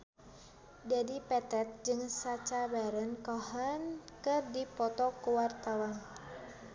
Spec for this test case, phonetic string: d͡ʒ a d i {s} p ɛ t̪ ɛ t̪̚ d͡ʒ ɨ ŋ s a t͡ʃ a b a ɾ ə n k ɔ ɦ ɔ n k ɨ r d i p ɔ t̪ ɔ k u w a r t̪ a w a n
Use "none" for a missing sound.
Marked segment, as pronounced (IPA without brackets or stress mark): none